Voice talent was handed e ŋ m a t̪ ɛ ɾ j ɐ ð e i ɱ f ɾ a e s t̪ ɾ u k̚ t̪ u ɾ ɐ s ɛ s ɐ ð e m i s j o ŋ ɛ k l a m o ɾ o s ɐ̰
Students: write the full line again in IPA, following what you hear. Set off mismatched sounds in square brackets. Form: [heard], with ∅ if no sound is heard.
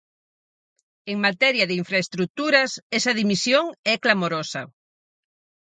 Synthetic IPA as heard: e ŋ m a t̪ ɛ ɾ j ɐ ð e i ɱ f ɾ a e s t̪ ɾ u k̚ t̪ u ɾ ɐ s ɛ s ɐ ð [i] m i s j o ŋ ɛ k l a m o ɾ o s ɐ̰